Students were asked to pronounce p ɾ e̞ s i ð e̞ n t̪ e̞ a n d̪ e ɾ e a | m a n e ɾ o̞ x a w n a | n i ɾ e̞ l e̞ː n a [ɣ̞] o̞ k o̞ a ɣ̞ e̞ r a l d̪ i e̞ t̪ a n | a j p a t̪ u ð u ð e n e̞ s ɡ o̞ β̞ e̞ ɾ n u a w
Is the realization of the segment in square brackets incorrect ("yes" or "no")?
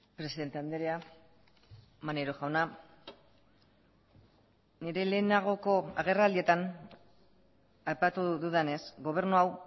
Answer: no